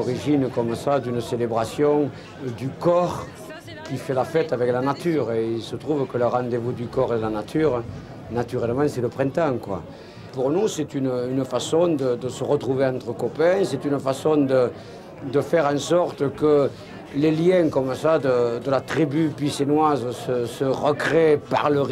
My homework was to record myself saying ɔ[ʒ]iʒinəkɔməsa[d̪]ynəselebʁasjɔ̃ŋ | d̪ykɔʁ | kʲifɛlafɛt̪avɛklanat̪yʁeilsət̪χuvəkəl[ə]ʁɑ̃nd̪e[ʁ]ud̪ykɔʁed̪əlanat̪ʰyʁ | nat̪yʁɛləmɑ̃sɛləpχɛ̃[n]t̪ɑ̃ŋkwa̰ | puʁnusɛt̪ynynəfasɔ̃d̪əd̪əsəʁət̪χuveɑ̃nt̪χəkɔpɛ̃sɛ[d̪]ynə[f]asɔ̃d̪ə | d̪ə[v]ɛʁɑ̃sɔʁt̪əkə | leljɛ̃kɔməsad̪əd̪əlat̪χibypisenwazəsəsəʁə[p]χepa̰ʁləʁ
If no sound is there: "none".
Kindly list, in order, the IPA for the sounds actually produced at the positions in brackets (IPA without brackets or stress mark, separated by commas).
ʁ, d̪, ə, v, n, t̪, f, f, k